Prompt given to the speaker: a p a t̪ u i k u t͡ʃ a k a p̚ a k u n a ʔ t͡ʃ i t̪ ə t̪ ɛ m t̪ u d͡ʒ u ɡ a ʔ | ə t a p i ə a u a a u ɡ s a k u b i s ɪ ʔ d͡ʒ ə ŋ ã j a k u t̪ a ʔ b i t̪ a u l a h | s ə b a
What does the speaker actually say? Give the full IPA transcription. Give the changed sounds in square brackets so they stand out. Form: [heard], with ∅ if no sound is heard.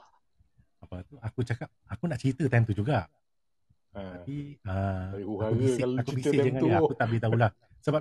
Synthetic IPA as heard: a p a t̪ u [a] k u t͡ʃ a k a p̚ a k u n a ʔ t͡ʃ i t̪ ə t̪ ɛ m t̪ u d͡ʒ u ɡ a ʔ | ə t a p i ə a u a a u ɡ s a k u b i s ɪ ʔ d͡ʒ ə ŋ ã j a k u t̪ a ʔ b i t̪ a u l a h | s ə b a